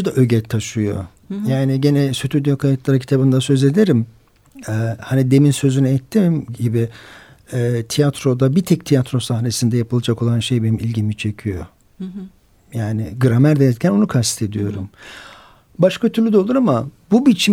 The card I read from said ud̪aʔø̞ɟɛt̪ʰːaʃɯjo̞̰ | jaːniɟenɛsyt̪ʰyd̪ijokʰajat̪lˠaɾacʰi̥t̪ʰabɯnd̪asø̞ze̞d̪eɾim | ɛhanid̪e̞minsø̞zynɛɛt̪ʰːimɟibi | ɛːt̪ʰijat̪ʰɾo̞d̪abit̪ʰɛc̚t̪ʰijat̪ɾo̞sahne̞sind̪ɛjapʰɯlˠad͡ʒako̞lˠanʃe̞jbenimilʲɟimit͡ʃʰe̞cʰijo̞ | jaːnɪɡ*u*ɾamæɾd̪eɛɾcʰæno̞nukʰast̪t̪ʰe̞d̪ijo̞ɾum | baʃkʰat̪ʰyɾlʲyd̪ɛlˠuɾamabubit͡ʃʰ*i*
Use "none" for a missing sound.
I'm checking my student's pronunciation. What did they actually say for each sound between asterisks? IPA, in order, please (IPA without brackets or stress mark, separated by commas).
ɯ, i